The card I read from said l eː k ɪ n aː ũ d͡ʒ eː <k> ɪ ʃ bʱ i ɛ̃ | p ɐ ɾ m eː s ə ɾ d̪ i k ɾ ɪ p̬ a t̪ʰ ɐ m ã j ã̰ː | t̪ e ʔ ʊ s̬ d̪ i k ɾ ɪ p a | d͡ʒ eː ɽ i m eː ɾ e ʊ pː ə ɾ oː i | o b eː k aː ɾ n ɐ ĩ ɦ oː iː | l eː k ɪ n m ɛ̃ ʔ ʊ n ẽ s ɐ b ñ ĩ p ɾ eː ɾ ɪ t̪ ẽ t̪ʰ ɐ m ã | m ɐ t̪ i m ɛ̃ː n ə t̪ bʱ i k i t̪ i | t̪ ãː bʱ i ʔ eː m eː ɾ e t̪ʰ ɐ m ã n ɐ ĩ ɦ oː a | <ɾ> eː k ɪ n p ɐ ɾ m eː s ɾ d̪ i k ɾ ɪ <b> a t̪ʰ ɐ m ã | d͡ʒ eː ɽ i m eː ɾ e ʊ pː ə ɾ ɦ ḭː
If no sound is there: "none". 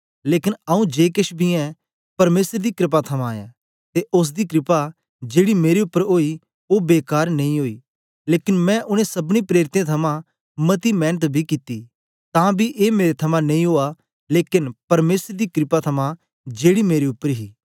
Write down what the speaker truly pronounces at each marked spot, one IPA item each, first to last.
k, l, p

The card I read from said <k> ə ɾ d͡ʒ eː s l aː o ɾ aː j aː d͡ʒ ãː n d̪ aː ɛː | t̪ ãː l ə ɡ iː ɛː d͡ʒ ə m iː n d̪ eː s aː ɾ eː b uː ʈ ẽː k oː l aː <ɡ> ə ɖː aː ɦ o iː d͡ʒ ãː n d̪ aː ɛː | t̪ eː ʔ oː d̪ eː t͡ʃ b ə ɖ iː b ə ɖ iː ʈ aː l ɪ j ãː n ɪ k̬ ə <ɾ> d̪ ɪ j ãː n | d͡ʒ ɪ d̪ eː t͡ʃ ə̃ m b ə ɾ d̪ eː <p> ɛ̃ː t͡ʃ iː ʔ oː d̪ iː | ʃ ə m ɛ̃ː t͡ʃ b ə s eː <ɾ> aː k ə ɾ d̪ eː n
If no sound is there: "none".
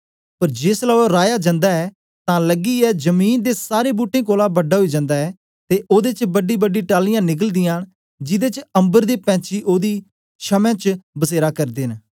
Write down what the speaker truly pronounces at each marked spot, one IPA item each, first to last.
p, b, l, p, ɾ

